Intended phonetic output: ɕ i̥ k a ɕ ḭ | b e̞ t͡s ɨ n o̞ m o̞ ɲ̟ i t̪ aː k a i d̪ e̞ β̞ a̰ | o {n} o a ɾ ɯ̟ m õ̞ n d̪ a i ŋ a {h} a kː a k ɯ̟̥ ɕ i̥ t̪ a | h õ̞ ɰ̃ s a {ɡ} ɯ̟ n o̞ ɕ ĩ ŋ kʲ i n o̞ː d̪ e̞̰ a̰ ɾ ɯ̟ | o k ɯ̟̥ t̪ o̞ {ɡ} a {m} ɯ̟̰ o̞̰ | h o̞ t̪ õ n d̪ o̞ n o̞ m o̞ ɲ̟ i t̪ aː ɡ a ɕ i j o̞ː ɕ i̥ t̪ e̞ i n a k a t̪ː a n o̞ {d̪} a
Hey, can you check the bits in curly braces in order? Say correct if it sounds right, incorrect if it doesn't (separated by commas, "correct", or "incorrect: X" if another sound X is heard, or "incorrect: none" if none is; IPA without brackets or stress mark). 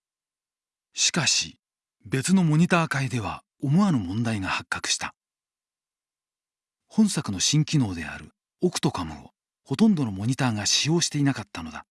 incorrect: m, correct, incorrect: k, incorrect: k, correct, correct